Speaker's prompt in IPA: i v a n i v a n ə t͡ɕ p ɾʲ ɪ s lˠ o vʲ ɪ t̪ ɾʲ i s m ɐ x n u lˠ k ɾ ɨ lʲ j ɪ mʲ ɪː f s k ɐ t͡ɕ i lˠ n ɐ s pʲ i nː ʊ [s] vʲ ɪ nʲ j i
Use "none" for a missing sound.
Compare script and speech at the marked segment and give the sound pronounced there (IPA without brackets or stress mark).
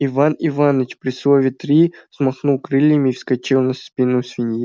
s